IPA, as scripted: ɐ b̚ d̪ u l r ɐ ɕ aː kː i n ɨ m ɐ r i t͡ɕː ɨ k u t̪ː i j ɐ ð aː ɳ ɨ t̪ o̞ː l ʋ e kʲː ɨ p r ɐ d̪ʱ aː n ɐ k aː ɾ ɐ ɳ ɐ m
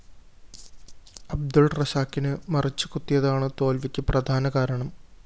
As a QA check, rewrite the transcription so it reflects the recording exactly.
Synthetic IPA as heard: ɐ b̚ d̪ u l r ɐ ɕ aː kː i n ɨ m ɐ r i t͡ɕː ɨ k u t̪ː i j ɐ ð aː ɳ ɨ t̪ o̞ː l ʋ i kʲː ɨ p r ɐ d̪ʱ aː n ɐ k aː ɾ ɐ ɳ ɐ m